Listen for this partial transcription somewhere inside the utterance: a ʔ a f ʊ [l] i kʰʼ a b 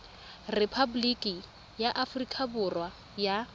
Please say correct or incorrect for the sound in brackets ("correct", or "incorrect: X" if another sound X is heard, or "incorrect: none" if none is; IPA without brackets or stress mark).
incorrect: r